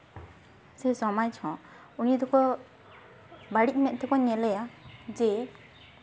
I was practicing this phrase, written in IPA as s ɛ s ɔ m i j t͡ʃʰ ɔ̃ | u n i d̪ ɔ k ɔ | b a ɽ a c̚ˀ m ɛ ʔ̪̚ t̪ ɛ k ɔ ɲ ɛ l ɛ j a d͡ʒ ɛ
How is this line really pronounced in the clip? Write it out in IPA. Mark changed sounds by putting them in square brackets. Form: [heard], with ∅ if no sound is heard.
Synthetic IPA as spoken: s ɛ s ɔ m [a] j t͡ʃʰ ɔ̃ | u n i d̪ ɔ k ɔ | b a ɽ [i] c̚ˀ m ɛ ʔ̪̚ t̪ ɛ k ɔ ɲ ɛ l ɛ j a d͡ʒ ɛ